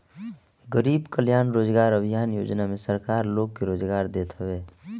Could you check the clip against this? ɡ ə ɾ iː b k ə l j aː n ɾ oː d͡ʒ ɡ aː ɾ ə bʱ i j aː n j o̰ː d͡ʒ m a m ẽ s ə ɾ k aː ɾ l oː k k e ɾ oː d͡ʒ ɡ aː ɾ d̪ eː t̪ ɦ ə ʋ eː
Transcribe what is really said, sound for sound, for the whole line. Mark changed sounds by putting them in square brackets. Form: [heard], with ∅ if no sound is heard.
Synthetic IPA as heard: ɡ ə ɾ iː b k ə l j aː n ɾ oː d͡ʒ ɡ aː ɾ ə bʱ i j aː n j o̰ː d͡ʒ [n] a m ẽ s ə ɾ k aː ɾ l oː [ɡ] k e ɾ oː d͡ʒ ɡ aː ɾ d̪ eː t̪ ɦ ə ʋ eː